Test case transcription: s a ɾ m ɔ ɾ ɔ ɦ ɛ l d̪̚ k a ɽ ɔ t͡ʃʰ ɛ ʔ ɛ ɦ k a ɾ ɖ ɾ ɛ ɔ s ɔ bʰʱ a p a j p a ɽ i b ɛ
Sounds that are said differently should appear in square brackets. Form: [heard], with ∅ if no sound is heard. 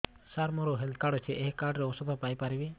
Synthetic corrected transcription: s a ɾ m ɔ ɾ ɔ ɦ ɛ l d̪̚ k a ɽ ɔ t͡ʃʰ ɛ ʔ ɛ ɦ k a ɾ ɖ ɾ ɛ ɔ s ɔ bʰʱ a p a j p a [ɾ] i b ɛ